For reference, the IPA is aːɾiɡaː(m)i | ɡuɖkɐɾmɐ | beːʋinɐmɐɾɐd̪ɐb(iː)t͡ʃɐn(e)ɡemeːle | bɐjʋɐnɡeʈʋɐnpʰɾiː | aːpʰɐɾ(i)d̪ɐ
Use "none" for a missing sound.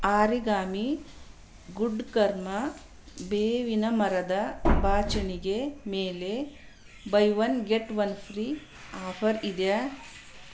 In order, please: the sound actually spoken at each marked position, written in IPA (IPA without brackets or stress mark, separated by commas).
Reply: m, aː, i, i